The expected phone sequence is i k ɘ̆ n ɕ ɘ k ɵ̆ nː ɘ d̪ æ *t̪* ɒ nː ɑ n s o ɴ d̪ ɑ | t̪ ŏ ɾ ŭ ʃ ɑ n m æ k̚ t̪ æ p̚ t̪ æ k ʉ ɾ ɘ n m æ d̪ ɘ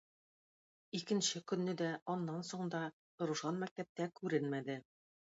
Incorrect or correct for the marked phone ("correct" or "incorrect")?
incorrect